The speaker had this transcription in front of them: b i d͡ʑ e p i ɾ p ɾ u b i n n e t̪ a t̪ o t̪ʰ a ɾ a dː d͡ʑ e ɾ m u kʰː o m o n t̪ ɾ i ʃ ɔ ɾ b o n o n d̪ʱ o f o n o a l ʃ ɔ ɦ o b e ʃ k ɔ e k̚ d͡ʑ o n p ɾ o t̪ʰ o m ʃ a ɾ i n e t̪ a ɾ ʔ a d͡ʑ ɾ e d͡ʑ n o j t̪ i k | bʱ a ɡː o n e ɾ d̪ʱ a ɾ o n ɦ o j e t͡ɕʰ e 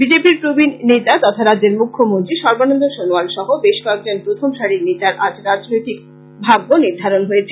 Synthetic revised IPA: b i d͡ʑ e p i ɾ p ɾ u b i n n e t̪ a t̪ ɔ t̪ʰ a ɾ a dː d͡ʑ e ɾ m u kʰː o m o n t̪ ɾ i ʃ ɔ ɾ b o n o n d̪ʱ o ʃ o n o a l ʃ ɔ ɦ o b e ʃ k ɔ e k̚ d͡ʑ o n p ɾ o t̪ʰ o m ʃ a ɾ i n e t̪ a ɾ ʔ a d͡ʑ ɾ a d͡ʑ n o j t̪ i k | bʱ a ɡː o n i ɾ d̪ʱ a ɾ o n ɦ o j e t͡ɕʰ e